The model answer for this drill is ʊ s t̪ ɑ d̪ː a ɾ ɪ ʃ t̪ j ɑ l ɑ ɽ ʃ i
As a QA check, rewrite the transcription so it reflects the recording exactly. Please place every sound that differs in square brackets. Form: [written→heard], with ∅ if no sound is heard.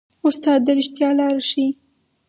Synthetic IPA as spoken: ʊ s t̪ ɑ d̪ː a ɾ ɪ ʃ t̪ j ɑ l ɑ [ɽ→ɾ] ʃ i